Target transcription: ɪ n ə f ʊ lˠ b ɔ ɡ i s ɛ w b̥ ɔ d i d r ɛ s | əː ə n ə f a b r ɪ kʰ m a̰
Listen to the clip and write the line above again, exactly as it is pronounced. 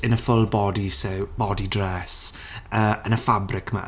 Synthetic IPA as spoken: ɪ n ə f ʊ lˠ b ɔ d i s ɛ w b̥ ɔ d i d r ɛ s | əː ə n ə f a b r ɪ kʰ m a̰